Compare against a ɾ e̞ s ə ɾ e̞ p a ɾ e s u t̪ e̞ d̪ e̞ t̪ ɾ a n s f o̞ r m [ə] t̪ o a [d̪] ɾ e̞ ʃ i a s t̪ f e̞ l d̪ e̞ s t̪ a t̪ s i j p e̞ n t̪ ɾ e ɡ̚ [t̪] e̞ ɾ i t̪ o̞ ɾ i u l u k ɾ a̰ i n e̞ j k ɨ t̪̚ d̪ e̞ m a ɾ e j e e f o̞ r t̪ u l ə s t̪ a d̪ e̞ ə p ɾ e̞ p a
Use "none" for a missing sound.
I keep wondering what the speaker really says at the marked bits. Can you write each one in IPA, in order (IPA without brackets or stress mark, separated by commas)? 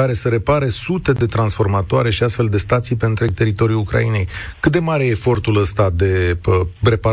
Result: a, none, t̪